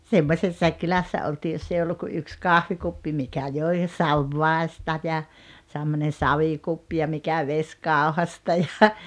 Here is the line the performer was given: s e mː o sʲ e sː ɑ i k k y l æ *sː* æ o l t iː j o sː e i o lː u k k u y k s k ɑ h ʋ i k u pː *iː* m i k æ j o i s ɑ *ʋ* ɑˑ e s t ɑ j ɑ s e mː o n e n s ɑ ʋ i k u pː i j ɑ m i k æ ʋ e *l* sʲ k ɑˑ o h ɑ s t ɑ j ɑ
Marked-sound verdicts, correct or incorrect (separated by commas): correct, incorrect, incorrect, incorrect